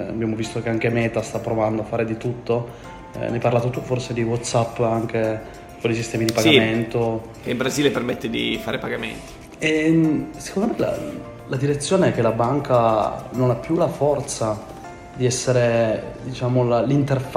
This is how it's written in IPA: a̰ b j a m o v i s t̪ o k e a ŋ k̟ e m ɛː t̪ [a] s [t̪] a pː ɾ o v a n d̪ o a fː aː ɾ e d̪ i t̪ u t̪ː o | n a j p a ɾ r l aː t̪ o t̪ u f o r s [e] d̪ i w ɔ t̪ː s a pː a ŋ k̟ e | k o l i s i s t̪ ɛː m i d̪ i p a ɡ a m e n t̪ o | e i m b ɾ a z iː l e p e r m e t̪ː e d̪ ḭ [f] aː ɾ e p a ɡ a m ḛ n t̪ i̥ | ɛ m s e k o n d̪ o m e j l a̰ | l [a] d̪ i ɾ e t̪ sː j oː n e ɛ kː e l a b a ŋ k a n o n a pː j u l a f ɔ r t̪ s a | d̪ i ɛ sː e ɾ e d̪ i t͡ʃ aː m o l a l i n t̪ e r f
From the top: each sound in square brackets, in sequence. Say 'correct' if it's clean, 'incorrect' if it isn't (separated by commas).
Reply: correct, correct, correct, correct, correct